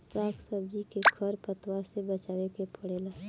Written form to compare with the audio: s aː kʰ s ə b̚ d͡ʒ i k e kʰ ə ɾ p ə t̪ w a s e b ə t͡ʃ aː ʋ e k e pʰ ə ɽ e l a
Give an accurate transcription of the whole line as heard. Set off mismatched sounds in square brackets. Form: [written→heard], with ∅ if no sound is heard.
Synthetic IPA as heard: s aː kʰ s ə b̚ d͡ʒ i k e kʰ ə ɾ p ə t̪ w a s e b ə t͡ʃ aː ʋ e k e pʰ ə ɽ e l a